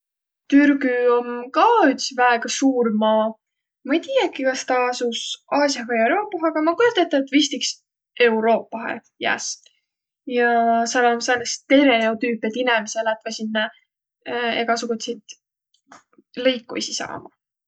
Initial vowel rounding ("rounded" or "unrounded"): rounded